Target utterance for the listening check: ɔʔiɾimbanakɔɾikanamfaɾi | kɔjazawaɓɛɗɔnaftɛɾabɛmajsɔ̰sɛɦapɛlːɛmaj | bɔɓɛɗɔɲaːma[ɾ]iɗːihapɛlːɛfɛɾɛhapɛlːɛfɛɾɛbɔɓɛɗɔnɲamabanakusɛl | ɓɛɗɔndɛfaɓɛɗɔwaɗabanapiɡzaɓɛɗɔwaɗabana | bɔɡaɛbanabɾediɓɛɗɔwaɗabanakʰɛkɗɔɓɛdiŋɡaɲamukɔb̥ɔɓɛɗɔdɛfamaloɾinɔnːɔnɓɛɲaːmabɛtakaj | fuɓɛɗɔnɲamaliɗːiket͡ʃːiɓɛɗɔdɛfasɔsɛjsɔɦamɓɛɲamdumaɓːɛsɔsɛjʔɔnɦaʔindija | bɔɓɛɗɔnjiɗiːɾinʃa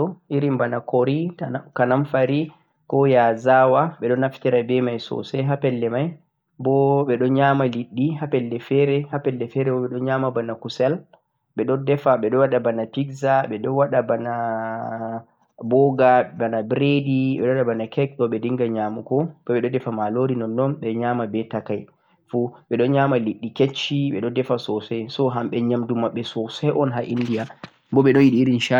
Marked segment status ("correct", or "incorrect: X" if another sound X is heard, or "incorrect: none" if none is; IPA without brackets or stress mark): incorrect: l